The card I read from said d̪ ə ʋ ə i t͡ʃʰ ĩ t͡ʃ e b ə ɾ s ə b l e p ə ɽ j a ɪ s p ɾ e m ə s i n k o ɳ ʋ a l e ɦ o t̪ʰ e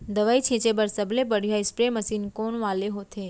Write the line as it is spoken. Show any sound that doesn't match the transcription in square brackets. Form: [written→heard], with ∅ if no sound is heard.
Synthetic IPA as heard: d̪ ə ʋ [ə→a] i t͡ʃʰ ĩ t͡ʃ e b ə ɾ s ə b l e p ə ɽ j a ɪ s p ɾ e m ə s i n k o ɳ ʋ a l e ɦ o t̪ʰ e